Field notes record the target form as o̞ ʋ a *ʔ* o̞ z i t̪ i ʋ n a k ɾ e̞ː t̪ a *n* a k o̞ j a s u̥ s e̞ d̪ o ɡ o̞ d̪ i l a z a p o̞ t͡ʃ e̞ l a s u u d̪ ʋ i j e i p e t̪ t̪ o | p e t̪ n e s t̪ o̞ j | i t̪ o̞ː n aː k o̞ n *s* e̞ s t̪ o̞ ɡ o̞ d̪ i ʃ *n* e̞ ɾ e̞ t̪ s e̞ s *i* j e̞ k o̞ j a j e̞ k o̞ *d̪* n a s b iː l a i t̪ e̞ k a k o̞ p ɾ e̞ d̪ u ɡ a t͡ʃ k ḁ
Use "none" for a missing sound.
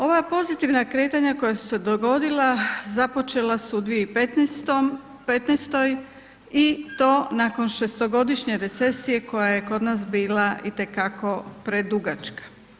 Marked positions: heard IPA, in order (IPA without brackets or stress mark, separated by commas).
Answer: p, ɲ, ʃ, ɲ, i, d̪